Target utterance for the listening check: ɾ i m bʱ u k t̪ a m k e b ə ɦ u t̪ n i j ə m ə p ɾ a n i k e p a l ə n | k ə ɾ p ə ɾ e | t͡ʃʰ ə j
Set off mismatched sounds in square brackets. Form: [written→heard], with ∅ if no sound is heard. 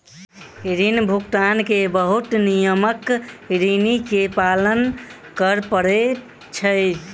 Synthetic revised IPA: ɾ i [m→n] bʱ u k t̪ a [m→n] k e b ə ɦ u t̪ n i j ə m ə [p→k] ɾ [a→i] n i k e p a l ə n | k ə ɾ p ə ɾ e | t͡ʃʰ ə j